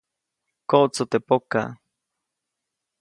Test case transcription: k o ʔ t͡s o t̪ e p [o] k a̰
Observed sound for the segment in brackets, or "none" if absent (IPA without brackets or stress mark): o